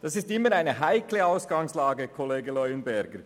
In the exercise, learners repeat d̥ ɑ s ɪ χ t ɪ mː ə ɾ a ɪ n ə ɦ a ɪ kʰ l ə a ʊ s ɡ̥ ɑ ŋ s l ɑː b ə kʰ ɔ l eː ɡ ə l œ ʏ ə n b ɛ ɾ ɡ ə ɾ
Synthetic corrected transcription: d̥ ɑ s ɪ s t ɪ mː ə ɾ a ɪ n ə ɦ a ɪ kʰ l ə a ʊ s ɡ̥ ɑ ŋ s l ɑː ɡ ə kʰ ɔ l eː ɡ ə l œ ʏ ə n b ɛ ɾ ɡ ə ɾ

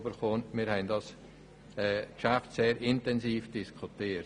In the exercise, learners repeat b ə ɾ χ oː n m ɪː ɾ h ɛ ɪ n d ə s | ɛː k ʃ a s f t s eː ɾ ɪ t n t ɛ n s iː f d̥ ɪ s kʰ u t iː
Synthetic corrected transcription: b ə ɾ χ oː n m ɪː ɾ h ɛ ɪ n d ɑ s | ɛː k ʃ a f t s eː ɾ ɪ n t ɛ n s iː f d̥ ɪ s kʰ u t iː

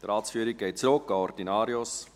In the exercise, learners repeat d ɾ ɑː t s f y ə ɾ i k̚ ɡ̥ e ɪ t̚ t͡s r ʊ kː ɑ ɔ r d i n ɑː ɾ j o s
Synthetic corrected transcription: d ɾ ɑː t s f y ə ɾ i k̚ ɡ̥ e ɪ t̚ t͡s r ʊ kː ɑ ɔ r d i n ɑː ɾ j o s

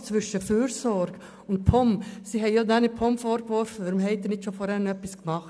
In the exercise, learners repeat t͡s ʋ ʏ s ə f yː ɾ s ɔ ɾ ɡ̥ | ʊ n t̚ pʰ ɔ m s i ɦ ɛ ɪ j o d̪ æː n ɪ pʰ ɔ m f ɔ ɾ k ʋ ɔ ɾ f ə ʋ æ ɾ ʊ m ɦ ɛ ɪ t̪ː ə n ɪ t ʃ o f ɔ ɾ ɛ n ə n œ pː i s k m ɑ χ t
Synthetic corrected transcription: t͡s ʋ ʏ ʃ ə f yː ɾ s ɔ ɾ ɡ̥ | ʊ n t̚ pʰ ɔ m s i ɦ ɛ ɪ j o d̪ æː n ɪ pʰ ɔ m f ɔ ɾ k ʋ ɔ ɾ f ə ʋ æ ɾ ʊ m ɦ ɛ ɪ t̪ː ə n ɪ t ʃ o f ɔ ɾ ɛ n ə n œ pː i s k m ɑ χ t

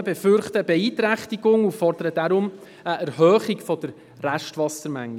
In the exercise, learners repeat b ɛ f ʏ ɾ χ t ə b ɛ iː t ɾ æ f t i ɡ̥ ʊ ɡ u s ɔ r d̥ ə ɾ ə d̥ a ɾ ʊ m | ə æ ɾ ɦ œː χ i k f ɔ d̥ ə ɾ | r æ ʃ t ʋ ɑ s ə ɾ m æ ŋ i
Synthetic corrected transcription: b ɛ f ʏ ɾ χ t ə b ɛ iː t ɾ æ χ t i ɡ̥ ʊ ŋ u f ɔ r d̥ ə ɾ ə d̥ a ɾ ʊ m | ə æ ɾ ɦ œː χ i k f ɔ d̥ ə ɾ | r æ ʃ t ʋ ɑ s ə ɾ m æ ŋ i

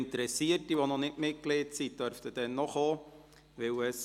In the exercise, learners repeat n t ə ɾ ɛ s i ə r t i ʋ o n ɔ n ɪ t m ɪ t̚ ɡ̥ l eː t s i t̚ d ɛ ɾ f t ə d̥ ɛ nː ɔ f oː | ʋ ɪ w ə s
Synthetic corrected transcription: n t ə ɾ ɛ s i ə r t i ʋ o n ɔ n ɪ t m ɪ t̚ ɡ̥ l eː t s i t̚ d œ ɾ f t ə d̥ ɛ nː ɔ χ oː | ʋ ɪ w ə s

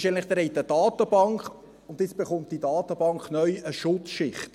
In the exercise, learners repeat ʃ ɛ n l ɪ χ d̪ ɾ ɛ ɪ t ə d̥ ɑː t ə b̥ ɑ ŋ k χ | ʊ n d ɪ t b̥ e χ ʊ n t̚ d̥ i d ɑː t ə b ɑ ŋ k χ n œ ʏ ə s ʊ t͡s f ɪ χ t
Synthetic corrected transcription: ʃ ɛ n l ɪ χ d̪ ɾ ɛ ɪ t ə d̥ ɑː t ə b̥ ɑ ŋ k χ | ʊ n d ɪ t͡s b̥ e χ ʊ m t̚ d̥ i d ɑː t ə b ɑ ŋ k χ n œ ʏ ə ʃ ʊ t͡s ʃ ɪ χ t

